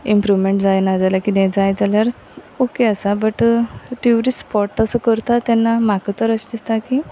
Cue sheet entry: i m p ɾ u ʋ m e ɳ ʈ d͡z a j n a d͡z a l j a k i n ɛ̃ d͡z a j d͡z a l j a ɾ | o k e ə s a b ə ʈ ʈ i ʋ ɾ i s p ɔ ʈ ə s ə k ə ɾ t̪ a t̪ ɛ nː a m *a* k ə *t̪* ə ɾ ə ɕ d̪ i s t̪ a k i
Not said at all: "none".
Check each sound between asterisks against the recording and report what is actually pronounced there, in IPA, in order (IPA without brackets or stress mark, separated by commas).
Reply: a, t̪